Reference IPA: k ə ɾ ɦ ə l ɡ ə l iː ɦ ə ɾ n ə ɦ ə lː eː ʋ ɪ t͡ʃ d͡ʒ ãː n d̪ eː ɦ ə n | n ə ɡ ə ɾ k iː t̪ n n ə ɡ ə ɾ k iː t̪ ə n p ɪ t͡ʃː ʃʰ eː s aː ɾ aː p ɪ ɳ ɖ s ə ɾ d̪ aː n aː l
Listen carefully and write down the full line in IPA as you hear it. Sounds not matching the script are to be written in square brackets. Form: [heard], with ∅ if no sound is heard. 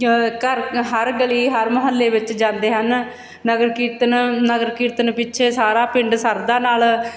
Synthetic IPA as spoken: k ə ɾ ɦ ə [ɾ] ɡ ə l iː ɦ ə ɾ [m] ə ɦ ə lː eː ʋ ɪ t͡ʃ d͡ʒ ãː n d̪ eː ɦ ə n | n ə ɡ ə ɾ k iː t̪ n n ə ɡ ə ɾ k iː t̪ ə n p ɪ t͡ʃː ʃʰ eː s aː ɾ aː p ɪ ɳ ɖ s ə ɾ d̪ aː n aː l